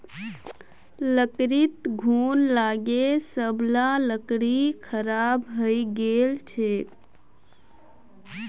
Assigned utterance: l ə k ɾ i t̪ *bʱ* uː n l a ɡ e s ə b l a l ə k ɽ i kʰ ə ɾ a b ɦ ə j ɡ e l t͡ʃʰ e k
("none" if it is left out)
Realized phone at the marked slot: ɡʱ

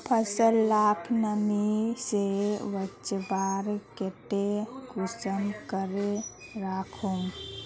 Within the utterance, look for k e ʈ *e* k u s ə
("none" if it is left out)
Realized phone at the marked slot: e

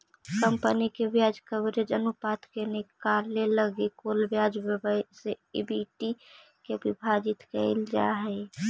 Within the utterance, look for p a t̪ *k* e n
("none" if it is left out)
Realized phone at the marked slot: k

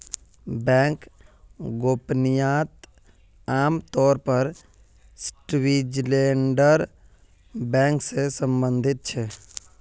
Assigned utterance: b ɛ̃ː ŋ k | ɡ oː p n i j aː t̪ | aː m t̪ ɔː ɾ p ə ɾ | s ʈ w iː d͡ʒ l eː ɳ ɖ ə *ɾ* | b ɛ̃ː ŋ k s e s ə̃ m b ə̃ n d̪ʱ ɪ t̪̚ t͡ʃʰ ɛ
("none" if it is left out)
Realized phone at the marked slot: ɾ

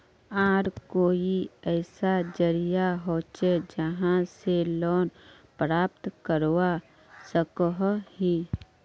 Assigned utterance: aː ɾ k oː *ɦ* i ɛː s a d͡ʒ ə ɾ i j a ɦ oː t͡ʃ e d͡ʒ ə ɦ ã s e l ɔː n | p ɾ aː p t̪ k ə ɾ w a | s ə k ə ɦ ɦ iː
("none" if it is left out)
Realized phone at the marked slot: none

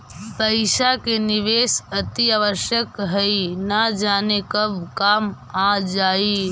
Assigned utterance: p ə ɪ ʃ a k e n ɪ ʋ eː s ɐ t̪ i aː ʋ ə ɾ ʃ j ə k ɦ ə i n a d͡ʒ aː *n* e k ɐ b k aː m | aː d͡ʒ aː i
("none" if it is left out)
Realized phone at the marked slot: n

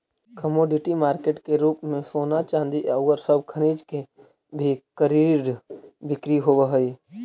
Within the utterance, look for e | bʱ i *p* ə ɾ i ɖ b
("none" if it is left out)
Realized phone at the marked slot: k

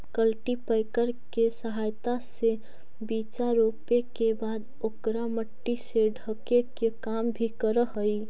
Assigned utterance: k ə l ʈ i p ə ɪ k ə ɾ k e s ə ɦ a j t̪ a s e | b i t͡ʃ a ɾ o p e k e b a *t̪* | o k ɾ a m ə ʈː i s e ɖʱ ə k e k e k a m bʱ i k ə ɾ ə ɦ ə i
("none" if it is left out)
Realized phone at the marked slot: d̪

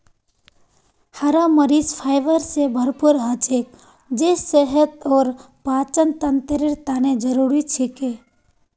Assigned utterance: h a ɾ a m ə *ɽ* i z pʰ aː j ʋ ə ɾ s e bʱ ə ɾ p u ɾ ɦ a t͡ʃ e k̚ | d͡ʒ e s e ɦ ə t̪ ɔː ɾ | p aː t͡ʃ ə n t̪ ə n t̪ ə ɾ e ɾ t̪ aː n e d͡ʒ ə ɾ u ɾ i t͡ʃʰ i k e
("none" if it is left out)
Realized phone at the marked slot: ɾ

